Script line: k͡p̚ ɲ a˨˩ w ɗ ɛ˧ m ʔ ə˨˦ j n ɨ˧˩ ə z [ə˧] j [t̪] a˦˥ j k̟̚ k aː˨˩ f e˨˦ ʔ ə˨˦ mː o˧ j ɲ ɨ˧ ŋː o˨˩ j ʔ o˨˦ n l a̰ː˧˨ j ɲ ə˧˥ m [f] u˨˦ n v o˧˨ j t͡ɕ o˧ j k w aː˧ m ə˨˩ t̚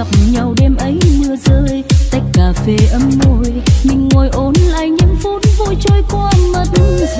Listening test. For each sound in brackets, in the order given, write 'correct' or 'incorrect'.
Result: incorrect: əː˧, correct, correct

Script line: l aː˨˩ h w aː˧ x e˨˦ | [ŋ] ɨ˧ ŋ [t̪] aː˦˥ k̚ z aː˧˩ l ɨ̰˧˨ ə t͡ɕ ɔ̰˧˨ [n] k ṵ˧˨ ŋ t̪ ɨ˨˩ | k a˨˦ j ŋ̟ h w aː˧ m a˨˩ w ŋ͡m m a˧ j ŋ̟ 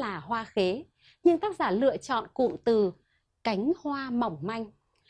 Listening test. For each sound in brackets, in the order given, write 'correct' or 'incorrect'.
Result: incorrect: ɲ, correct, correct

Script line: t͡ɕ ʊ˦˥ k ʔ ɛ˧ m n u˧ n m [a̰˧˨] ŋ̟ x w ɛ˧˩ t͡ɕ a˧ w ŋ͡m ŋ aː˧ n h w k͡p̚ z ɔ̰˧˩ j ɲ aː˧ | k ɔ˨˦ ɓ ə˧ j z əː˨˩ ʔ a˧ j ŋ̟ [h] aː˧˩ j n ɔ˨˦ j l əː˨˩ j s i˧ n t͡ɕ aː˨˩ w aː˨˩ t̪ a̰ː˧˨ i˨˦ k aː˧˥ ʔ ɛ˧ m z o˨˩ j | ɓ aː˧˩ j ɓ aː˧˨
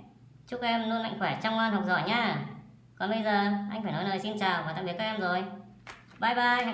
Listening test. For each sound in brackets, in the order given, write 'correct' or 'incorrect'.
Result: correct, incorrect: f

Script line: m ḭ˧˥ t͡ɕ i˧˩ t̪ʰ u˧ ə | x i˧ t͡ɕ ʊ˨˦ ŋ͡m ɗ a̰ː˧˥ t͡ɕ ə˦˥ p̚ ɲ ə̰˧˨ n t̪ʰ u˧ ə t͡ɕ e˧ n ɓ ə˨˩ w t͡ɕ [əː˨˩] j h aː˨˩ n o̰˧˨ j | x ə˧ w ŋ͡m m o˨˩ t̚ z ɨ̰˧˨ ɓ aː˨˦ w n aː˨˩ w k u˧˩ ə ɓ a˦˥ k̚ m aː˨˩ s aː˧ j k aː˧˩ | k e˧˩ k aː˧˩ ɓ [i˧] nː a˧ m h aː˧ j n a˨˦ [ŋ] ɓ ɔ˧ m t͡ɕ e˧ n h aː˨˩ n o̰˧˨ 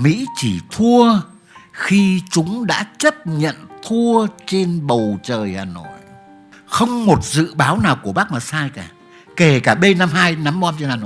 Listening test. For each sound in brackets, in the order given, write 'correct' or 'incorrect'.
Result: correct, incorrect: e˧, incorrect: m

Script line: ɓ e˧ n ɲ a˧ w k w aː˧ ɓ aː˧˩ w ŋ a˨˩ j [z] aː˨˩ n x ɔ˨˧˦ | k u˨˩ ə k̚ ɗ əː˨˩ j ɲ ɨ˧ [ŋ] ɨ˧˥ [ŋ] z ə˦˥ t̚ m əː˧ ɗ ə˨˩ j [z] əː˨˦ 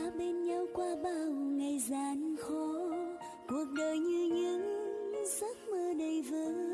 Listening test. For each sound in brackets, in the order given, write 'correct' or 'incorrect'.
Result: correct, incorrect: ɲ, correct, incorrect: v

